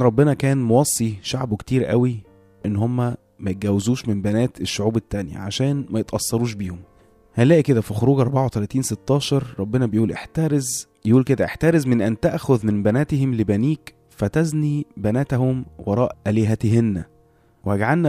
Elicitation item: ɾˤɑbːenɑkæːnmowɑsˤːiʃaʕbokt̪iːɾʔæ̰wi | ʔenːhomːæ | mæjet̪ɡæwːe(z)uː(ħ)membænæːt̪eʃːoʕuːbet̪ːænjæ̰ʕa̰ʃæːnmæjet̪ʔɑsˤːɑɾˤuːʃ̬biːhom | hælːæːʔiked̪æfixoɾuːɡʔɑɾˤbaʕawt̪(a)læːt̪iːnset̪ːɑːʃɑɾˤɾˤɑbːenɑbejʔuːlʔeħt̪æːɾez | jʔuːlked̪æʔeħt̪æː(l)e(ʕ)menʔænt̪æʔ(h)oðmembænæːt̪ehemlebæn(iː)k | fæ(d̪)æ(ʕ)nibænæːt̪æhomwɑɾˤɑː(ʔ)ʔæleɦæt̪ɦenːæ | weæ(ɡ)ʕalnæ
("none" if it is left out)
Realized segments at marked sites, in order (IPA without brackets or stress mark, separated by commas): z, ʃ, æ, ɾ, z, x, iː, t̪, z, ʔ, ɡ